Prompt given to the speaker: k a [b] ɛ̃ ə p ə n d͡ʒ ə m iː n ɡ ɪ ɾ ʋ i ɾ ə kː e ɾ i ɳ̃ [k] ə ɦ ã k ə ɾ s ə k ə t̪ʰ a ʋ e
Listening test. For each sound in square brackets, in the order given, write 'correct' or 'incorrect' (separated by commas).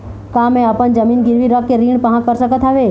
incorrect, incorrect